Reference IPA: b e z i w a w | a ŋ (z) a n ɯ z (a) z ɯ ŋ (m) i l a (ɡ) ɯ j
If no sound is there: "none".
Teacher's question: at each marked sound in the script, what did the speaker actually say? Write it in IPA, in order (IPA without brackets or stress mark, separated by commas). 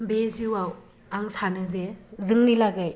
s, e, n, ɡ